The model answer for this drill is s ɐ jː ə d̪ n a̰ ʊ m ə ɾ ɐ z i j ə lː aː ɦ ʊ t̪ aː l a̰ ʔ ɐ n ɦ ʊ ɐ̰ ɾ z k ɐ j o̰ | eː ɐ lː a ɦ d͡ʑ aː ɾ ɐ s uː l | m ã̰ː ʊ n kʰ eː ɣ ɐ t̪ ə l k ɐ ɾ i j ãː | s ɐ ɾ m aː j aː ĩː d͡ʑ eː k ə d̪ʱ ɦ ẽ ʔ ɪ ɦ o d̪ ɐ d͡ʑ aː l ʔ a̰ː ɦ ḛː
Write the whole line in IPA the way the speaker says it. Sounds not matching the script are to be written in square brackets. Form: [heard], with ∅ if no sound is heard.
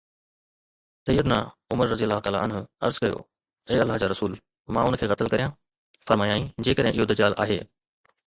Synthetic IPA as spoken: s ɐ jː ə d̪ n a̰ ʊ m ə ɾ ɐ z i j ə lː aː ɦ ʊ t̪ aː l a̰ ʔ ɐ n ɦ ʊ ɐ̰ ɾ z k ɐ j o̰ | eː ɐ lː a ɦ d͡ʑ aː ɾ ɐ s uː l | m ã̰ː ʊ n kʰ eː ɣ ɐ t̪ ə l k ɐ ɾ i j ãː | [f] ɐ ɾ m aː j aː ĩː d͡ʑ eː k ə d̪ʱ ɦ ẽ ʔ ɪ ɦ o d̪ ɐ d͡ʑ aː l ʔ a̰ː ɦ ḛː

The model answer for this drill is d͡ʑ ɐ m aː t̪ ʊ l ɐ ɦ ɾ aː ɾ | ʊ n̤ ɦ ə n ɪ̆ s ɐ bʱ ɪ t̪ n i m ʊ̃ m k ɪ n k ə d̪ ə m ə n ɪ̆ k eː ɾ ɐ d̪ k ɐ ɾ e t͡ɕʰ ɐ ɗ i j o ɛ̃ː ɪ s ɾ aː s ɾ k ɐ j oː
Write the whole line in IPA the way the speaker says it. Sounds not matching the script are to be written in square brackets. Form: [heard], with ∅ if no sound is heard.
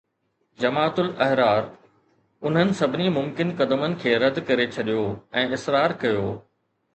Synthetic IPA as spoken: d͡ʑ ɐ m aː t̪ ʊ l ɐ ɦ ɾ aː ɾ | ʊ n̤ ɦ ə n ɪ̆ s ɐ bʱ ɪ [∅] n i m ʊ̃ m k ɪ n k [ɐ] d̪ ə m ə n ɪ̆ [kʰ] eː ɾ ɐ d̪ k ɐ ɾ e t͡ɕʰ ɐ ɗ i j o ɛ̃ː ɪ s ɾ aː [∅] ɾ k ɐ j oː

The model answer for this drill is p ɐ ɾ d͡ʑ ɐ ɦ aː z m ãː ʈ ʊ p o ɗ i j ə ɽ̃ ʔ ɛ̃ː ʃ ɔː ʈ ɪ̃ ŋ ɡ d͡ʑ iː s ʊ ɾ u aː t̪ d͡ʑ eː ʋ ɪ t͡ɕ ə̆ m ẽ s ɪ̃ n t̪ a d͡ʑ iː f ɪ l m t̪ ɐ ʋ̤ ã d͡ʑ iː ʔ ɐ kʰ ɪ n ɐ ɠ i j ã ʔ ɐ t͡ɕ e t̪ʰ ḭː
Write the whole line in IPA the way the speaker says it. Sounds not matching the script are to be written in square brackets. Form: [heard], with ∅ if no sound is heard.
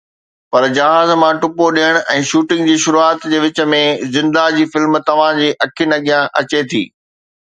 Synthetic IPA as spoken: p ɐ ɾ d͡ʑ ɐ ɦ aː z m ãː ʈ ʊ p o ɗ i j ə ɽ̃ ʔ ɛ̃ː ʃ [uː] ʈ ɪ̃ ŋ ɡ d͡ʑ iː [ʃ] ʊ ɾ u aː t̪ d͡ʑ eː ʋ ɪ t͡ɕ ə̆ m ẽ [z] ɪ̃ n [d̪] a d͡ʑ iː f ɪ l m t̪ ɐ ʋ̤ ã d͡ʑ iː ʔ ɐ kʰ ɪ n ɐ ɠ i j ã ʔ ɐ t͡ɕ e t̪ʰ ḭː

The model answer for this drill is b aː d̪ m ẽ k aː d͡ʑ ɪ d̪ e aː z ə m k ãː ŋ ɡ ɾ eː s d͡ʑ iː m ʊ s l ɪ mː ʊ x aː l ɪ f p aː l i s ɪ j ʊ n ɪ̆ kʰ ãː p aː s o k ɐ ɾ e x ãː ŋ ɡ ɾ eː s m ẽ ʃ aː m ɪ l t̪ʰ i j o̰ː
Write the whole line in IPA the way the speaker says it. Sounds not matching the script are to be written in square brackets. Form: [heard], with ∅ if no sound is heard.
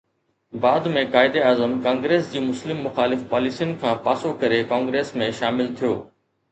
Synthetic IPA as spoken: b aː d̪ m ẽ k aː [∅] ɪ d̪ e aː z ə m k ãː ŋ ɡ ɾ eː s d͡ʑ iː m ʊ s l ɪ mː ʊ x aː l ɪ f p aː l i s [i] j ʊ n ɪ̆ kʰ ãː p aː s o k ɐ ɾ e [k] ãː ŋ ɡ ɾ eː s m ẽ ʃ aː m ɪ l t̪ʰ i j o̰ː

